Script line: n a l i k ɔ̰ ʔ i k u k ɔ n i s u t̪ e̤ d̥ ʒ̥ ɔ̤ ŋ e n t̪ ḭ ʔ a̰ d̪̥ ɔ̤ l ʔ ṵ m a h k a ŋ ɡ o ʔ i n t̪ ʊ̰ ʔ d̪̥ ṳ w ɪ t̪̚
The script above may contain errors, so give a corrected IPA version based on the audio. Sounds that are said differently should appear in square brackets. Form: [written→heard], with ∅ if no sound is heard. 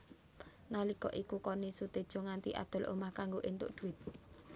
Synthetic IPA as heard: n a l i k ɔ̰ ʔ i k u k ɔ n i s u t̪ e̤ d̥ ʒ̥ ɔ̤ ŋ [e→a] n t̪ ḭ ʔ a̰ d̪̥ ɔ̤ l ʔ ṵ m a h k a ŋ ɡ o ʔ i n t̪ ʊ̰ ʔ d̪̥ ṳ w ɪ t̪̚